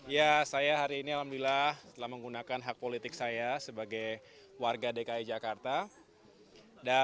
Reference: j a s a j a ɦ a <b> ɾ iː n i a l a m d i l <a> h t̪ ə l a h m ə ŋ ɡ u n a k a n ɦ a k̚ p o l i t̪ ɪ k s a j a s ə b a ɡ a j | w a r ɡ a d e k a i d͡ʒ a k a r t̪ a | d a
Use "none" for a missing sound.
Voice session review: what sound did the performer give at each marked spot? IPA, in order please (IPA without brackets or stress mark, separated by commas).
none, a